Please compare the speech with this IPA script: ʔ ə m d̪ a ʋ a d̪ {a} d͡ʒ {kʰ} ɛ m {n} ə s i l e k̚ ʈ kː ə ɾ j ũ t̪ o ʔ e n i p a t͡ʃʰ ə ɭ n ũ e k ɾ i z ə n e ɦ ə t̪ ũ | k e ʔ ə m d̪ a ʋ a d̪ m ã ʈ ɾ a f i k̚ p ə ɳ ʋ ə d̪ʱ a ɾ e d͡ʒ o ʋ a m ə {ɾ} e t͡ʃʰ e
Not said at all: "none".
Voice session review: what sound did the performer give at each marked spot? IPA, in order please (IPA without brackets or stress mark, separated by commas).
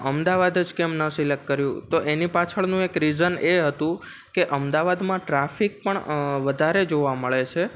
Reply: ə, k, n, ɭ